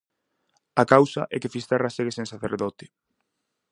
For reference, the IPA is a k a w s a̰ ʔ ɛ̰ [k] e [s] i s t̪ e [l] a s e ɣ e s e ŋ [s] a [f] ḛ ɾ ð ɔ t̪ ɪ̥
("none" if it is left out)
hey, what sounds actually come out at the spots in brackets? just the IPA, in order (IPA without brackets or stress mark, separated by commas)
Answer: k, f, r, s, θ